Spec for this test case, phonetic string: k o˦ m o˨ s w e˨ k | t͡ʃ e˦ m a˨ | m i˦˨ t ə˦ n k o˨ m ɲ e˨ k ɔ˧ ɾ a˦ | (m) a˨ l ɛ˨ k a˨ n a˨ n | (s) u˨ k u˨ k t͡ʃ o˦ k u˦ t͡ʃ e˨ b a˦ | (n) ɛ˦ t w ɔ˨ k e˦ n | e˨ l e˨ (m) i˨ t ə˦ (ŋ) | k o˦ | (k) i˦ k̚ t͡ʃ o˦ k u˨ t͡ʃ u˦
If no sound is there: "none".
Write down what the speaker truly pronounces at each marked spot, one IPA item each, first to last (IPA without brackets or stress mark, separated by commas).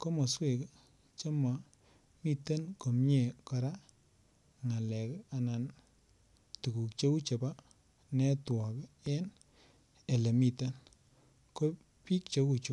ŋ, t, n, m, n, p